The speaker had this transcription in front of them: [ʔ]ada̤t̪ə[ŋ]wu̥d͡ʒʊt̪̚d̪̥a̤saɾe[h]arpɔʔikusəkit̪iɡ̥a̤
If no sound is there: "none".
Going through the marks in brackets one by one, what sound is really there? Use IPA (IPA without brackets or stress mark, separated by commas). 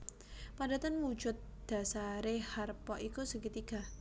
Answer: p, n, h